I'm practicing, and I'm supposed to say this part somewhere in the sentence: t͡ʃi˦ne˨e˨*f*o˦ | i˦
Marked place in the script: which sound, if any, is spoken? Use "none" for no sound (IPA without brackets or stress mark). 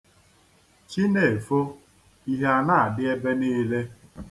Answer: f